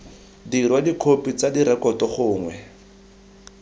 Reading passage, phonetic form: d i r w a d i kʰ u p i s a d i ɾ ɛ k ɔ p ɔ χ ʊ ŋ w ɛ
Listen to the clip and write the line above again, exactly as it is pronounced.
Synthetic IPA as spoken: d i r w a d i kʰ o p i t͡s a d i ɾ ɛ k ɔ t ɔ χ ʊː ŋ w ɛ